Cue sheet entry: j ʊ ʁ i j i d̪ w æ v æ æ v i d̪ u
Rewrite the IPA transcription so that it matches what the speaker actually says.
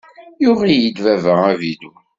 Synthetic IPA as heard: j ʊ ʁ i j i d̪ v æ v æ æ v i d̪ u